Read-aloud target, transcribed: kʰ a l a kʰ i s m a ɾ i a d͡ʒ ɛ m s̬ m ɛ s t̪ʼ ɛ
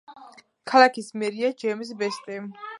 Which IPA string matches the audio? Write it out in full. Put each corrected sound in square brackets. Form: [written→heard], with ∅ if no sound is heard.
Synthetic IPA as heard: kʰ a l a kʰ i s m [a→ɛ] ɾ i a d͡ʒ ɛ m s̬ [m→b] ɛ s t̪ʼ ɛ